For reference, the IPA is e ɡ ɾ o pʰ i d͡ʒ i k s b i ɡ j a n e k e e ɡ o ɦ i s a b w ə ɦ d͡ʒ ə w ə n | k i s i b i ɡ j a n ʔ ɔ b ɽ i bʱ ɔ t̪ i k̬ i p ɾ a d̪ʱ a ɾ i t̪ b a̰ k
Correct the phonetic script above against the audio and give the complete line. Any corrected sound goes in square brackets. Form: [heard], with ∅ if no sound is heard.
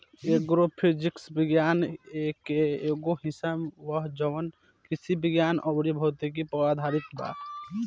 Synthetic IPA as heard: e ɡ ɾ o pʰ i d͡ʒ i k s b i ɡ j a n e k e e ɡ o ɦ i s a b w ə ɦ d͡ʒ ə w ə n | k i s i b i ɡ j a n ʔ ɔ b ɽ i bʱ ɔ t̪ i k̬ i p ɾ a d̪ʱ a ɾ i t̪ b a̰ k

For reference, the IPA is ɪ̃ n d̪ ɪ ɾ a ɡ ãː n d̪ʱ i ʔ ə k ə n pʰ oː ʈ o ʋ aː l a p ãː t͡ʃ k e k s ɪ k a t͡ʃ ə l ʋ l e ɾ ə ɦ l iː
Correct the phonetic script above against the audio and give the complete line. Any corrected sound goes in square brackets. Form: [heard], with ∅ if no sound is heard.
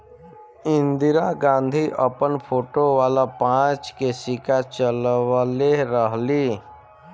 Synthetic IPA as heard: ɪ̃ n d̪ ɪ ɾ a ɡ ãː n d̪ʱ i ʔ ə [p] ə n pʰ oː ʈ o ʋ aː l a p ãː t͡ʃ k e [∅] s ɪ k a t͡ʃ ə l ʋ l e ɾ ə ɦ l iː

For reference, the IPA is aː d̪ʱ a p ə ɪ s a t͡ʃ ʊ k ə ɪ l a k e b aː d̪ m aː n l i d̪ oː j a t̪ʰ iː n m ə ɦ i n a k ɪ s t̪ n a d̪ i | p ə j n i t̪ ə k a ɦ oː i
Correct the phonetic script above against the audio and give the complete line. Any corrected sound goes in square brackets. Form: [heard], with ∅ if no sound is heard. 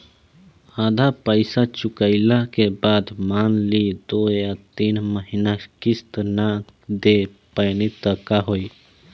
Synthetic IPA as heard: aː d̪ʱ a p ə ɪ s a t͡ʃ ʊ k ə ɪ l a k e b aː d̪ m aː n l i d̪ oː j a [t̪] iː n m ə ɦ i n a k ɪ s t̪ n a d̪ [e] | p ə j n i t̪ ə k a ɦ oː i

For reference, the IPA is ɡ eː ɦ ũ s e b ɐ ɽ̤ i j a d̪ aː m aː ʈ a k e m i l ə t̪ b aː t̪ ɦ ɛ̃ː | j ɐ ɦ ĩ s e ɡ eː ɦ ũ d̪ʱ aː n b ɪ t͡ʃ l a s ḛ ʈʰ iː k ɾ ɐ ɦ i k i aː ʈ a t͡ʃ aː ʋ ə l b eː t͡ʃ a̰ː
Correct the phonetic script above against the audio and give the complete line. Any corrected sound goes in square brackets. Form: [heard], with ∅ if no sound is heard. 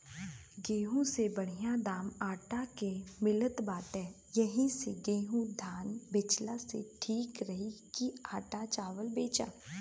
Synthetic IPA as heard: ɡ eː ɦ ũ s e b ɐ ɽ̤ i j a d̪ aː m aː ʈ a k e m [ɪ] l ə t̪ b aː t̪ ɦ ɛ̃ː | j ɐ ɦ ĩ s e ɡ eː ɦ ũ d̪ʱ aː n b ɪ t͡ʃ l a s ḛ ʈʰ iː k ɾ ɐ ɦ i k i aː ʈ a t͡ʃ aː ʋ ə l b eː t͡ʃ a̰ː

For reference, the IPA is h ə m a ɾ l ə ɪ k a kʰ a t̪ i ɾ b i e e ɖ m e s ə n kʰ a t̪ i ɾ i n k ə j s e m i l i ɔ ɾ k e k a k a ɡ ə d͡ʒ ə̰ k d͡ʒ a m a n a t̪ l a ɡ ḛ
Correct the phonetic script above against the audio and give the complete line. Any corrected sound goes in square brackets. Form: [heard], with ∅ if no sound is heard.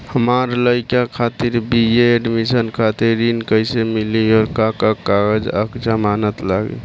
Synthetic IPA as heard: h ə m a ɾ l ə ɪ k a kʰ a t̪ i ɾ b i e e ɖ m [i] s ə n kʰ a t̪ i ɾ i n k ə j s e m i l i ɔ ɾ k [a] k a k a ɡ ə d͡ʒ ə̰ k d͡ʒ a m a n [ə] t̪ l a ɡ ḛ

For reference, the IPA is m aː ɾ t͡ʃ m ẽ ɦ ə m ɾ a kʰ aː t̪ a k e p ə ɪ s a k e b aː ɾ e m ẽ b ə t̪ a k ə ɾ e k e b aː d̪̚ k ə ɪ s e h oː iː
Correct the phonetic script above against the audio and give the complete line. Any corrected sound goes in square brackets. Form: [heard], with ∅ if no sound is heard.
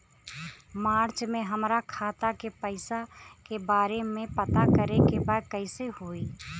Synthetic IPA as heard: m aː ɾ t͡ʃ m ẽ ɦ ə m ɾ a kʰ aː t̪ a k e p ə ɪ s a k e b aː ɾ e m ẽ [p] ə t̪ a k ə ɾ e k e b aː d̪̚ k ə ɪ s e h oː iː

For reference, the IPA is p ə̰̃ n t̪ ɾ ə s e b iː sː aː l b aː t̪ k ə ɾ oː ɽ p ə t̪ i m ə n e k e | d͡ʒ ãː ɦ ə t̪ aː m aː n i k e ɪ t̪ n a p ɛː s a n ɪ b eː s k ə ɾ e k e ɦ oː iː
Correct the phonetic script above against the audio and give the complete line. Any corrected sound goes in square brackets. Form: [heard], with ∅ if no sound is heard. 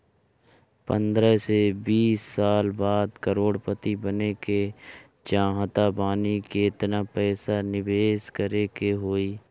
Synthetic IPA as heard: p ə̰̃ n [d̪] ɾ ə s e b iː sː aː l b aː [d̪] k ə ɾ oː ɽ p ə t̪ i [b] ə n e k e | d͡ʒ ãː ɦ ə t̪ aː [b] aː n i k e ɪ t̪ n a p ɛː s a n ɪ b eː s k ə ɾ e k e ɦ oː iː

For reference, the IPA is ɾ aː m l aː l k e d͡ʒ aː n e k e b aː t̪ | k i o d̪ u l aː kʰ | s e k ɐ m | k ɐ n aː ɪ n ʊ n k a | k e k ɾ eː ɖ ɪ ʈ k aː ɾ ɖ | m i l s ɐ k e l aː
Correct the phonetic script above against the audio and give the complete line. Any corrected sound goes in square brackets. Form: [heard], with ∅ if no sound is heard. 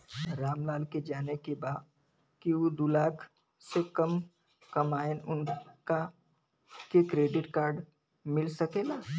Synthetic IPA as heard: ɾ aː m l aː l k e d͡ʒ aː n e k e b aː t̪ | k i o d̪ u l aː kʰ | s e k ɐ m | k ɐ [m] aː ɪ n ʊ n k a | k e k ɾ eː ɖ ɪ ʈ k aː ɾ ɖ | m [ɪ] l s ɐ k e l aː

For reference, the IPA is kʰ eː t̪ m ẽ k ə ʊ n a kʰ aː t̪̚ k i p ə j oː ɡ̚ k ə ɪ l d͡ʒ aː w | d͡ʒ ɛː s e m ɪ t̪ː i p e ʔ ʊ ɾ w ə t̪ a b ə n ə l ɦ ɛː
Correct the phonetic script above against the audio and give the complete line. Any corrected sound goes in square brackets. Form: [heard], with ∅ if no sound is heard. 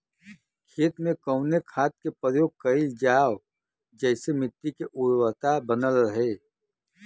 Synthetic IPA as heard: kʰ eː t̪ m ẽ k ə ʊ n [e] kʰ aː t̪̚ k [e] p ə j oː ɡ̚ k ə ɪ l d͡ʒ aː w | d͡ʒ ɛː s e m ɪ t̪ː i [k] e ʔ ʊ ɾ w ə t̪ a b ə n ə l ɦ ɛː

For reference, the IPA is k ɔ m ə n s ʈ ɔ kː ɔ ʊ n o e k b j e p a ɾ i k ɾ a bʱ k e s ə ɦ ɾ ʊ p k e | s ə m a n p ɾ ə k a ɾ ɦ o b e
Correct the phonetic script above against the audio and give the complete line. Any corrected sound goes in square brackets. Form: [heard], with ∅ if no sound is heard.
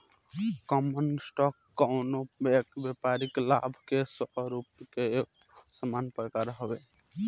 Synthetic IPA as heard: k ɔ m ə n s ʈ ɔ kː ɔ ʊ n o e k b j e p a ɾ i k [l] a bʱ k e s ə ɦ ɾ [u] p k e | s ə m a n p ɾ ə k a ɾ ɦ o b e

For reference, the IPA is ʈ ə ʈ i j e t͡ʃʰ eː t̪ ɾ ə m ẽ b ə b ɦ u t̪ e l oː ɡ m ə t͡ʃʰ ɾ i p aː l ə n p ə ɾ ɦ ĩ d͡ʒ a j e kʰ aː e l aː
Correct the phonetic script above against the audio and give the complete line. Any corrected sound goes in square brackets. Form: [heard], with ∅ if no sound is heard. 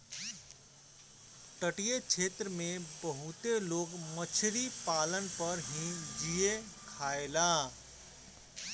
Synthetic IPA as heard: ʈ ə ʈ i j e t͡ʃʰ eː t̪ ɾ ə m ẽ b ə [∅] ɦ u t̪ e l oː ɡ m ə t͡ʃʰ ɾ i p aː l ə n p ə ɾ ɦ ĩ d͡ʒ [i] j e kʰ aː e l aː

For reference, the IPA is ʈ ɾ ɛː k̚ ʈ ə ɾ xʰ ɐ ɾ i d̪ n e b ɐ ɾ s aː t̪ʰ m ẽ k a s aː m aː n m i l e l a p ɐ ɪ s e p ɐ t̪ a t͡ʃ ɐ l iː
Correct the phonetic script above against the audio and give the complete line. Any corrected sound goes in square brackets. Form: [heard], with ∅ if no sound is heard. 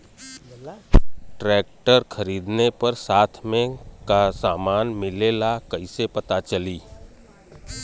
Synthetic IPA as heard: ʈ ɾ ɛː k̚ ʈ ə ɾ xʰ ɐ ɾ [iː] d̪ n e [p] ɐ ɾ s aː t̪ʰ m ẽ k a s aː m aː n m [ɪ] l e l a [k] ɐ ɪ s e p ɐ t̪ a t͡ʃ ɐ l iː

